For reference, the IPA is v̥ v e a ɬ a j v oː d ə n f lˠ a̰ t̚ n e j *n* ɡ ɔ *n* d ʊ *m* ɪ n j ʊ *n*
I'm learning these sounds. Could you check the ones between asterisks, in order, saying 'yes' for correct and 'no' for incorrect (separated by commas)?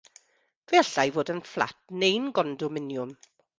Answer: yes, yes, yes, no